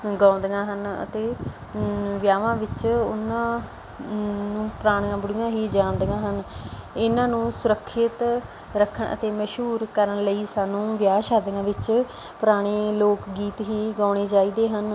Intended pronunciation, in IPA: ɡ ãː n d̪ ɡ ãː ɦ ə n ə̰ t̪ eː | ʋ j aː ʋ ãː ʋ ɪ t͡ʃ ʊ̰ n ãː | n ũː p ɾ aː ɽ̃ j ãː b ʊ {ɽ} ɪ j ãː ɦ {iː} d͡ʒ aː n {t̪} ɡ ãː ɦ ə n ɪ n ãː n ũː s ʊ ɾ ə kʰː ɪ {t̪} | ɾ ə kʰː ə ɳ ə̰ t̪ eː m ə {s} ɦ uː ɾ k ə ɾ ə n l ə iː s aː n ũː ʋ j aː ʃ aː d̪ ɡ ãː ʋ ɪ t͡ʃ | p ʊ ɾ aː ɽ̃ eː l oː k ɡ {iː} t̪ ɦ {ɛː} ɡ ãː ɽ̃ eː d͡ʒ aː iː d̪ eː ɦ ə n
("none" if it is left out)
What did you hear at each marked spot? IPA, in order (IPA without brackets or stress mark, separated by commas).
ɽ, iː, d̪, t̪, ʃ, iː, iː